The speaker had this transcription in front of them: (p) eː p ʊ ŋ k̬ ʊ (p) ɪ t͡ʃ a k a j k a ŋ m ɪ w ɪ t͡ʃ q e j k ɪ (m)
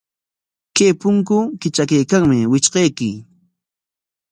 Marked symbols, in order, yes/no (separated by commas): no, no, no